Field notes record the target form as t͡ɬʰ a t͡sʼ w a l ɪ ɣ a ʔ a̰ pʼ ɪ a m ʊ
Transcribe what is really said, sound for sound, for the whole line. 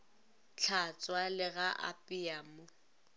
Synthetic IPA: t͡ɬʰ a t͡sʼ w a l ɪ ɣ a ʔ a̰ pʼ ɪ a m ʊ